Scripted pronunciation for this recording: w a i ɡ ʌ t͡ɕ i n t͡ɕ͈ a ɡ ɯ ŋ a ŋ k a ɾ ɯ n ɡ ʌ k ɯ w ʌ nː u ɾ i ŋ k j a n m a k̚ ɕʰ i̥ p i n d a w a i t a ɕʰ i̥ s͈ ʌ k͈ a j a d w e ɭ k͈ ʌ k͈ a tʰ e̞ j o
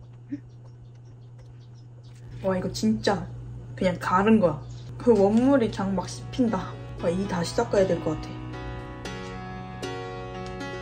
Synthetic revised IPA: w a i ɡ ʌ t͡ɕ i n t͡ɕ͈ a k ɯ ɲ a ŋ k a ɾ ɯ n ɡ ʌ k ɯ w ʌ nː u ɾ i k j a ŋ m a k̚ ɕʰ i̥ pʰ i n d a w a i t a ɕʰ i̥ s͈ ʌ k͈ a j a d w e ɭ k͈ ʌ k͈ a tʰ e̞ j o